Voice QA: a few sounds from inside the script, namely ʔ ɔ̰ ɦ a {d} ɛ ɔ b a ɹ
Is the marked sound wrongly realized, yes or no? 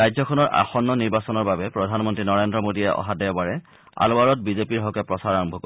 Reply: no